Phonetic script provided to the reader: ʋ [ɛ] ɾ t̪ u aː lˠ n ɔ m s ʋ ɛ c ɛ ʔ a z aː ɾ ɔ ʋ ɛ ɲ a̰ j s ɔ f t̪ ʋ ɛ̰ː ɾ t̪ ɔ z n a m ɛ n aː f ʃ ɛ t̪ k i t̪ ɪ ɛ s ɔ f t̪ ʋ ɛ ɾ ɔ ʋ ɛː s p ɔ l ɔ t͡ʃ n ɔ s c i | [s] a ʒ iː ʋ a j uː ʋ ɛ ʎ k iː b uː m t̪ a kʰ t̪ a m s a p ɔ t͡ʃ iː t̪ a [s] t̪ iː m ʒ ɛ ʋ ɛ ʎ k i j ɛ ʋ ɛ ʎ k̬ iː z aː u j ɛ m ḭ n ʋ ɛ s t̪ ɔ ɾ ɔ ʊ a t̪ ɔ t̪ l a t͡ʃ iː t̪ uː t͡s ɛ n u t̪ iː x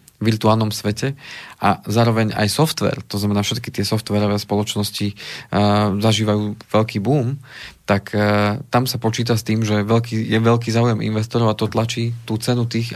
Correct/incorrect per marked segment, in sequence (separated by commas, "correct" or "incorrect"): incorrect, incorrect, correct